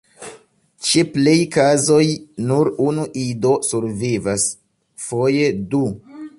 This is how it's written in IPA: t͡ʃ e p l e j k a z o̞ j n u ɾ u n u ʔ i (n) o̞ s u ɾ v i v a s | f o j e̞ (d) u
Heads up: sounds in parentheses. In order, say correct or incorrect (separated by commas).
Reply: incorrect, correct